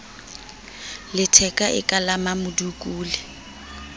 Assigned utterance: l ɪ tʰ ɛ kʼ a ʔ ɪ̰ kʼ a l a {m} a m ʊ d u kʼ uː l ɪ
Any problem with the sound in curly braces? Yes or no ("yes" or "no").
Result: no